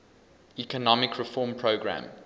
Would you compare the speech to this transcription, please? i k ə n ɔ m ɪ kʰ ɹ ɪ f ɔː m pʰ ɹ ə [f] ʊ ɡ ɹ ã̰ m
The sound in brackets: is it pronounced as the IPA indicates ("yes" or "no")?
no